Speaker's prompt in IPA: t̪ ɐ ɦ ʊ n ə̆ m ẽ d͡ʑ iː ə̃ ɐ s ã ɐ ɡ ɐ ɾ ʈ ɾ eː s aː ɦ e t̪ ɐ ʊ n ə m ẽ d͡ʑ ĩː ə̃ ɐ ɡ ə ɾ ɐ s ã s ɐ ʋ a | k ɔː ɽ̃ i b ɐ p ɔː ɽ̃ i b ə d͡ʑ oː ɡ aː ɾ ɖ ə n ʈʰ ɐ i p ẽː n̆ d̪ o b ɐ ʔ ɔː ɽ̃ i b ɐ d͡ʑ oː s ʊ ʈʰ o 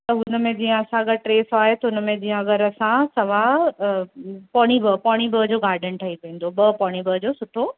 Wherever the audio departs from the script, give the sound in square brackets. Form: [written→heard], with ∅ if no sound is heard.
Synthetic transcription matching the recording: t̪ ɐ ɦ ʊ n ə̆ m ẽ d͡ʑ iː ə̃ ɐ s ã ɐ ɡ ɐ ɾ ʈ ɾ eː s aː ɦ e t̪ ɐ ʊ n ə m ẽ d͡ʑ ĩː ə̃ ɐ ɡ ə ɾ ɐ s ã s ɐ ʋ a | [k→p] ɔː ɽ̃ i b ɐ p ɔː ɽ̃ i b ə d͡ʑ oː ɡ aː ɾ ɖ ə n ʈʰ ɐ i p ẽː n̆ d̪ o b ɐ [ʔ→p] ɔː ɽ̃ i b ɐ d͡ʑ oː s ʊ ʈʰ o